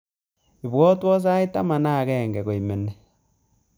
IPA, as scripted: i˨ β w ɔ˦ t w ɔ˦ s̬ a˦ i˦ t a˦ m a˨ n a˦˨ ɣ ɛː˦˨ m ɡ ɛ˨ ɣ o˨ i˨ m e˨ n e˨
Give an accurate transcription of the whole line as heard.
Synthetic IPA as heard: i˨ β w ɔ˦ t w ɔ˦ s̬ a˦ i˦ t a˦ m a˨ n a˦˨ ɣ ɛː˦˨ ŋ ɡ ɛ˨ ɣ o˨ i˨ m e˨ n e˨